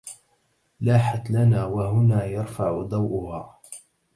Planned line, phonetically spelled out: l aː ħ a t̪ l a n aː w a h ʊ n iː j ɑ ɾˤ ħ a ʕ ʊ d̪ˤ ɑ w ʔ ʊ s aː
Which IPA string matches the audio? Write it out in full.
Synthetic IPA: l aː ħ a t̪ l a n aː w a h ʊ n aː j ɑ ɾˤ f a ʕ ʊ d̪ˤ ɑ w ʔ ʊ h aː